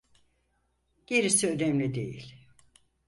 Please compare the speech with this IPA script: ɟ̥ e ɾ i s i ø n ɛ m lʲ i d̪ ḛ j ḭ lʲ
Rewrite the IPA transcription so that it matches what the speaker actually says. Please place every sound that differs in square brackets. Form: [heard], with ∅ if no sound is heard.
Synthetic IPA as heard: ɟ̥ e ɾ i s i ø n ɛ m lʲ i d̪ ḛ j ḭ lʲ